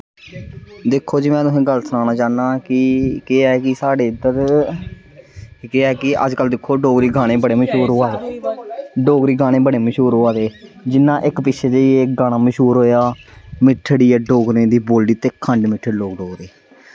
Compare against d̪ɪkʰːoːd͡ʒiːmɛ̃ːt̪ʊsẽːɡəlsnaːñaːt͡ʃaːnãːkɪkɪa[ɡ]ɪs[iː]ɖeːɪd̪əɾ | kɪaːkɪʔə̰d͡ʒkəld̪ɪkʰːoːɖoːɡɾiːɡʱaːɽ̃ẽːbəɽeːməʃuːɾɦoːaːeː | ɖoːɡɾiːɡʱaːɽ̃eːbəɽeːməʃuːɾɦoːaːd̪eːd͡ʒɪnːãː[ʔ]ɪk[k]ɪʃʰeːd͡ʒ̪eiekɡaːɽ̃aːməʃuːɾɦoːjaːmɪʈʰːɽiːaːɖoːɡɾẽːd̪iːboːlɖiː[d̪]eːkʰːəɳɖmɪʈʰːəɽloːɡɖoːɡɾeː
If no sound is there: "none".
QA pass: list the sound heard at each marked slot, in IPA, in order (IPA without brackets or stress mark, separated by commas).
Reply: k, aː, ʔ, p, t̪